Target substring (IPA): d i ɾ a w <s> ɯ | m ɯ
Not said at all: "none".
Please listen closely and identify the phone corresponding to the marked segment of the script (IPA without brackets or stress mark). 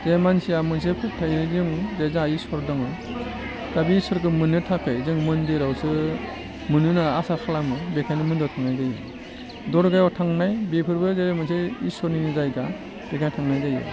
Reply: s